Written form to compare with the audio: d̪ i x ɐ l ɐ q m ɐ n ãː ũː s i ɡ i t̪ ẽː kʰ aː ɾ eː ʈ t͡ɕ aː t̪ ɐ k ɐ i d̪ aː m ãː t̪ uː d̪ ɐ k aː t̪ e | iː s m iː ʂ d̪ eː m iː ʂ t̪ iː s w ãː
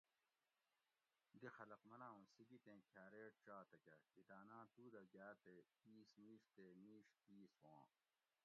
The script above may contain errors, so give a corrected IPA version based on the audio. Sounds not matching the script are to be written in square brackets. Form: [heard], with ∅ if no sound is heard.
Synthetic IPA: d̪ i x ɐ l ɐ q m ɐ n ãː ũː s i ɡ i t̪ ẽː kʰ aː ɾ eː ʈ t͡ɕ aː t̪ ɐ k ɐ i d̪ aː [n] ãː t̪ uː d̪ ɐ [ɡ] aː t̪ e | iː s m iː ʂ [t̪] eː m iː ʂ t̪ iː s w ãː